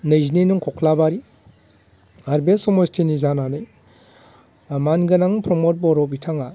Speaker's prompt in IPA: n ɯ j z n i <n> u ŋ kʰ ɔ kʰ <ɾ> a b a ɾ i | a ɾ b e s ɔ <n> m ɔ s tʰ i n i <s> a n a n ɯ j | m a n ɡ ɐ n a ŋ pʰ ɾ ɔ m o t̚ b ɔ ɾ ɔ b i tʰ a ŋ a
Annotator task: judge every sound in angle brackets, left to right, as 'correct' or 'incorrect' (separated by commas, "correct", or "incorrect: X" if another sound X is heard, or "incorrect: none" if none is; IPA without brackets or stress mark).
correct, incorrect: l, incorrect: none, incorrect: z